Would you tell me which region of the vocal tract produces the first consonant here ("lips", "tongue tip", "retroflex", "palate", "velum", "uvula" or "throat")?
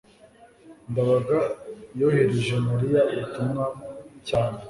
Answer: tongue tip